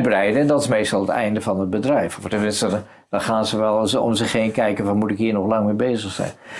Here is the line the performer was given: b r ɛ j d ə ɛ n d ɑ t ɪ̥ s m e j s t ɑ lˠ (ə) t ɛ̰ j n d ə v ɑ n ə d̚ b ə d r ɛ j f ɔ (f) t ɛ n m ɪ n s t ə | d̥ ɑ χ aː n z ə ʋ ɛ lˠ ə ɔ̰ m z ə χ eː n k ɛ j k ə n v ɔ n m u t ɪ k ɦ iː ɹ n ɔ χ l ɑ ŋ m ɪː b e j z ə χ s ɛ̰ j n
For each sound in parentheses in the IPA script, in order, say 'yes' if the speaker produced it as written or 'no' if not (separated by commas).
yes, yes